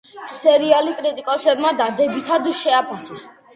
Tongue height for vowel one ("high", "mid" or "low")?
mid